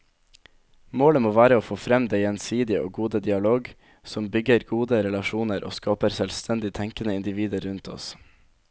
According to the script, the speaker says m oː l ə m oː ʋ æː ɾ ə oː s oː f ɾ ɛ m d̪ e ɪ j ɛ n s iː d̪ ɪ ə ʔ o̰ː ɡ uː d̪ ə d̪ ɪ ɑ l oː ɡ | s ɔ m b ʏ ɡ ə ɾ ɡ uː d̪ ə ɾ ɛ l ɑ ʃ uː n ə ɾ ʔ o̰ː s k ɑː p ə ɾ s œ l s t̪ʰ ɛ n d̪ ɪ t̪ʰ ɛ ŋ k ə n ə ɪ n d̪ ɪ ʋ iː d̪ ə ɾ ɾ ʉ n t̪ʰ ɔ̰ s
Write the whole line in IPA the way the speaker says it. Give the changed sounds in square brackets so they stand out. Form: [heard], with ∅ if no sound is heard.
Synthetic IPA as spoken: m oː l ə m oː ʋ æː ɾ ə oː [f] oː f ɾ ɛ m d̪ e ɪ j ɛ n s iː d̪ ɪ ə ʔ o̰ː ɡ uː d̪ ə d̪ ɪ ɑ l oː ɡ | s ɔ m b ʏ ɡ ə ɾ ɡ uː d̪ ə ɾ ɛ l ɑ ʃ uː n ə ɾ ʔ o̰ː s k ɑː p ə ɾ s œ l s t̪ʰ ɛ n d̪ ɪ t̪ʰ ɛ ŋ k ə n ə ɪ n d̪ ɪ ʋ iː d̪ ə ɾ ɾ ʉ n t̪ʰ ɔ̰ s

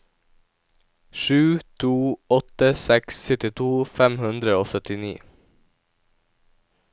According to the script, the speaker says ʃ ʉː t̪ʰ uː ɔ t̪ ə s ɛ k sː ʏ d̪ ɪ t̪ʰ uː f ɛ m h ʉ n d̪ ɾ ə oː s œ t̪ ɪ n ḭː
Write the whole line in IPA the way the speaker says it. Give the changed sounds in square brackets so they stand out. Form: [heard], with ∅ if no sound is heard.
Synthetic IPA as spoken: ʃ ʉː t̪ʰ uː ɔ t̪ ə s ɛ k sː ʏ [t̪] ɪ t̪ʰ uː f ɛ m h ʉ n d̪ ɾ ə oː s œ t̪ ɪ n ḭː

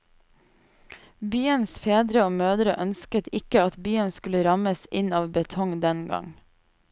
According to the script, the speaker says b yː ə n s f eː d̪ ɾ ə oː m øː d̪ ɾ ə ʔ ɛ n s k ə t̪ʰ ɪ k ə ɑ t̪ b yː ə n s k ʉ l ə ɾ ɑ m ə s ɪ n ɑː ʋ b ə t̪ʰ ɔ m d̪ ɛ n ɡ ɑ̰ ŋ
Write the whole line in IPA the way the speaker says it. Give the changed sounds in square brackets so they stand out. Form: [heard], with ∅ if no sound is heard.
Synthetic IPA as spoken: b yː ə n s f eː d̪ ɾ ə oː m øː d̪ ɾ ə ʔ [œ] n s k ə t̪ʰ ɪ k ə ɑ t̪ b yː ə n s k ʉ l ə ɾ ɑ m ə s ɪ n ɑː ʋ b ə t̪ʰ ɔ [ŋ] d̪ ɛ n ɡ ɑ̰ ŋ

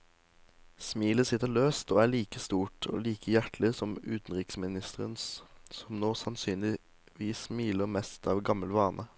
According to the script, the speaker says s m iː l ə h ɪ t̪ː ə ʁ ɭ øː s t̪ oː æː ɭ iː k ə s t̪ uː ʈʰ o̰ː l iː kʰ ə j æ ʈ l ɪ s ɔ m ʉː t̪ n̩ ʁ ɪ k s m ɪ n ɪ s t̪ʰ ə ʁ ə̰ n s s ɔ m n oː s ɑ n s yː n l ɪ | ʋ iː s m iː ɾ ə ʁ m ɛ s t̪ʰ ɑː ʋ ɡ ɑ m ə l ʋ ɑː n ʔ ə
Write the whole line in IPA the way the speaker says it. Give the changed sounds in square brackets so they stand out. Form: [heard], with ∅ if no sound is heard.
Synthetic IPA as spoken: s m iː l ə [s] ɪ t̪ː ə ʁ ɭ øː s t̪ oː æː ɭ iː k ə s t̪ uː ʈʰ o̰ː l iː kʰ ə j æ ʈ l ɪ s ɔ m ʉː t̪ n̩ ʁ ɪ k s m ɪ n ɪ s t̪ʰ ə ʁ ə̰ n s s ɔ m n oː s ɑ n s yː n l ɪ | ʋ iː s m iː [l] ə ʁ m ɛ s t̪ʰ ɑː ʋ ɡ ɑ m ə l ʋ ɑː n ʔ ə

